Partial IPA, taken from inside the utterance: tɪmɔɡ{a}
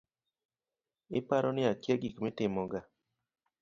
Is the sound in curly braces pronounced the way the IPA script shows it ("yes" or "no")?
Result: yes